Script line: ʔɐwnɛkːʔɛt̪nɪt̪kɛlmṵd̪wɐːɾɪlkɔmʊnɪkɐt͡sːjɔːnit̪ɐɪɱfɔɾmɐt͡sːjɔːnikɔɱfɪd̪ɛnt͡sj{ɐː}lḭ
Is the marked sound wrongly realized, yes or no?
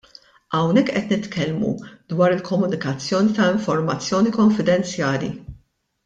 no